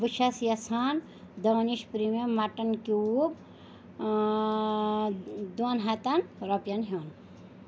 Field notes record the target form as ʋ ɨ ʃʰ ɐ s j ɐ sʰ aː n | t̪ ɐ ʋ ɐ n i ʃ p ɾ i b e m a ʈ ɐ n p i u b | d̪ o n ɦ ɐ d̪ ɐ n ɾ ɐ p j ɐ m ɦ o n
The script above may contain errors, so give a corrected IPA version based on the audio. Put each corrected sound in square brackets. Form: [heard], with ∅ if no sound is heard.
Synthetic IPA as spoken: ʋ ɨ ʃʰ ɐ s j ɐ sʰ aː n | [d̪] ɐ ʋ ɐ n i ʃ p ɾ i [m] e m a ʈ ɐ n [k] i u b | d̪ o n ɦ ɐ [t̪] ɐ n ɾ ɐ p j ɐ [n] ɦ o n